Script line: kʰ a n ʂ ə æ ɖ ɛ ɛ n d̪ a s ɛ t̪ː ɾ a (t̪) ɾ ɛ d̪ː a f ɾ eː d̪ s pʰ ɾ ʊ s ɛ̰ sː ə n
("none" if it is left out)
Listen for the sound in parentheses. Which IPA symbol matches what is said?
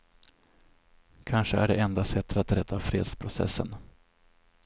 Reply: t̪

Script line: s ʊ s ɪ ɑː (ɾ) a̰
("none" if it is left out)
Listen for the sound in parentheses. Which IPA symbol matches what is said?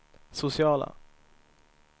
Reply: l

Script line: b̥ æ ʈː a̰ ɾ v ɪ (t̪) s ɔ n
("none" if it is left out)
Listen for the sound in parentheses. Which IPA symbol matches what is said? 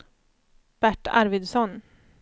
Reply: d̪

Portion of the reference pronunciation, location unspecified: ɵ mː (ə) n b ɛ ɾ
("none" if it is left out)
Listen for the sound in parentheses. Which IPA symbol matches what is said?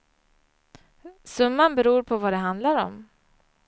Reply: a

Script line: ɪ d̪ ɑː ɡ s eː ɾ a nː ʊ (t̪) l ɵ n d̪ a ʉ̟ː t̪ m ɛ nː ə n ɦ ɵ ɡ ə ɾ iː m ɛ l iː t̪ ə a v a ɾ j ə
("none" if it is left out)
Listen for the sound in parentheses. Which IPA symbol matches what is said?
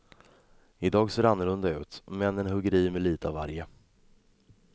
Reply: none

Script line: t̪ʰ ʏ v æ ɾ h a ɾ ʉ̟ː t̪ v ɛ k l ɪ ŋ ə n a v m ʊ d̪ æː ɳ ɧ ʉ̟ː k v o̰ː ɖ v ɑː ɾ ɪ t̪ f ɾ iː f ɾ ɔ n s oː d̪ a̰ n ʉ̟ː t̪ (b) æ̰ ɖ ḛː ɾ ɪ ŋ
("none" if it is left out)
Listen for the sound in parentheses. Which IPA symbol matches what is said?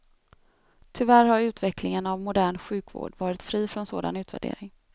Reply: v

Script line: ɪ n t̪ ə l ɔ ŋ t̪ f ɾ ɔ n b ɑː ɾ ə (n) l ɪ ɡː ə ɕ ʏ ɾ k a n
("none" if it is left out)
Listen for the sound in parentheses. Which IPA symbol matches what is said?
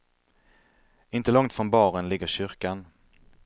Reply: n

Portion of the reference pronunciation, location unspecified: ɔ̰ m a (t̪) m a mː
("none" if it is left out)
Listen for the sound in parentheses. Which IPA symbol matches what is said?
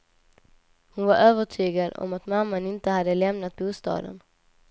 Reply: t̪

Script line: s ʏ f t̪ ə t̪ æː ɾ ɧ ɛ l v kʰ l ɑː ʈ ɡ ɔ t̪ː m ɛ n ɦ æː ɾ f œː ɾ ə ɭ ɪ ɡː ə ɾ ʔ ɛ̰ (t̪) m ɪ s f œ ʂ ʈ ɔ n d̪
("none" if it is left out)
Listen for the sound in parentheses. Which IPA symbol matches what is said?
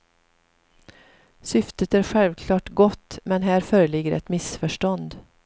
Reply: t̪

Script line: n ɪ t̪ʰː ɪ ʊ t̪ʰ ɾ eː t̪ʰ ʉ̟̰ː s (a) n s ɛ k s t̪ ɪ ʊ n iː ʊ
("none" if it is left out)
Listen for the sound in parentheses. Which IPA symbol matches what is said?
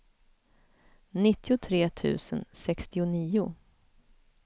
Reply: ə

